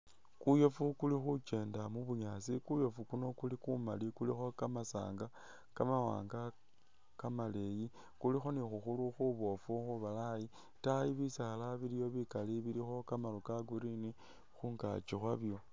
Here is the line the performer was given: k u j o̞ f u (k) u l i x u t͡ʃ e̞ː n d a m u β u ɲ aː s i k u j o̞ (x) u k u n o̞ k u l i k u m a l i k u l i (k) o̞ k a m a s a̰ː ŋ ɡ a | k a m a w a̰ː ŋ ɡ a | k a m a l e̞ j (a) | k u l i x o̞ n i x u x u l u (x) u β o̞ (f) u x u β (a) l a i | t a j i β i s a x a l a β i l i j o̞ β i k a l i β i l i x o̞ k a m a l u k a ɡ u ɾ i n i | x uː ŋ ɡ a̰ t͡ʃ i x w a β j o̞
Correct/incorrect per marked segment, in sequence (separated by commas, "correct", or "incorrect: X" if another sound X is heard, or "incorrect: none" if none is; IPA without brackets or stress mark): correct, incorrect: f, incorrect: x, incorrect: i, correct, correct, correct